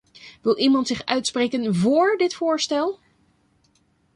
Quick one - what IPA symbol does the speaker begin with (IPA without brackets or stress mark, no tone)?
ʋ